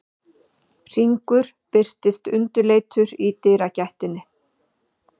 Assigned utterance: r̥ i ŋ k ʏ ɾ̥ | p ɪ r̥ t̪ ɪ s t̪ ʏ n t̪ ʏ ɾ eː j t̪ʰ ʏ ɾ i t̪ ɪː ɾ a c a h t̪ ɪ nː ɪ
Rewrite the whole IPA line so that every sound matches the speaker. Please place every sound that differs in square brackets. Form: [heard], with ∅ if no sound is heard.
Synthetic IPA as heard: r̥ i ŋ k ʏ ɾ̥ | p ɪ r̥ t̪ ɪ s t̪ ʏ n t̪ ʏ [l] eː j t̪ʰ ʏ ɾ i t̪ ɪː ɾ a c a h t̪ ɪ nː ɪ